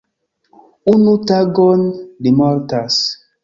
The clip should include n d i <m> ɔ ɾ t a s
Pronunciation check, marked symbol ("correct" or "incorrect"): correct